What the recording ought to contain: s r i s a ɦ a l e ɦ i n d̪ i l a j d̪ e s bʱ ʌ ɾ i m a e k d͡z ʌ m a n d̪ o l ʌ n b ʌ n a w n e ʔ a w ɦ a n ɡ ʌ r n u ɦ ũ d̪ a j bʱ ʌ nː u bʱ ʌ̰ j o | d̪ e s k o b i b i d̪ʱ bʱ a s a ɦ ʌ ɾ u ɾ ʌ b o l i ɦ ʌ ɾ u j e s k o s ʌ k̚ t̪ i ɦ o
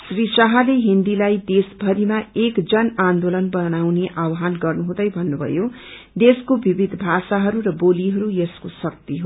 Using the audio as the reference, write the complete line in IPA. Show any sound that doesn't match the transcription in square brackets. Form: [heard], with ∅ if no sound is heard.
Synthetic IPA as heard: s r i s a ɦ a l e ɦ i n d̪ i l a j d̪ e s bʱ ʌ ɾ i m a e k d͡z ʌ [n] a n d̪ o l ʌ n b ʌ n a w n e ʔ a w ɦ a n ɡ ʌ r n u ɦ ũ d̪ [ʌ] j bʱ ʌ nː u bʱ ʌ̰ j o | d̪ e s k o b i b i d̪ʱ bʱ a s a ɦ ʌ ɾ u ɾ ʌ b o l i ɦ ʌ ɾ u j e s k o s ʌ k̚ t̪ i ɦ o